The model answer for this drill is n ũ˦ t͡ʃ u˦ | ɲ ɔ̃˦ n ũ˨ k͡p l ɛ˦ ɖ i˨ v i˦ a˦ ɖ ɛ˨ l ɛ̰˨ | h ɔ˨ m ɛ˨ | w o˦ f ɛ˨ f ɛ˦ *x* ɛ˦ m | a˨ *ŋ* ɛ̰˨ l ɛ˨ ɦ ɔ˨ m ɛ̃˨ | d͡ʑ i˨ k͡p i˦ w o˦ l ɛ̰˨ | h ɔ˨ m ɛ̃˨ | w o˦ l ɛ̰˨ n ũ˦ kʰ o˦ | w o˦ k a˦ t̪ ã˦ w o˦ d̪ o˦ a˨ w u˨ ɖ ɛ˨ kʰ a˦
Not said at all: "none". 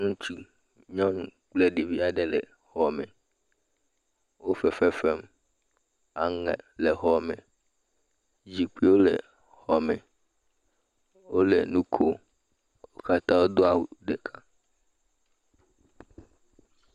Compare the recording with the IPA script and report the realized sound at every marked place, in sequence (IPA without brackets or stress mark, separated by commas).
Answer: f, ŋ